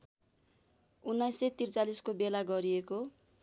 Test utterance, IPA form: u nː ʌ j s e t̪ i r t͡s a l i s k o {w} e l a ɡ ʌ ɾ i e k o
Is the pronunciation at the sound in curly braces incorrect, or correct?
incorrect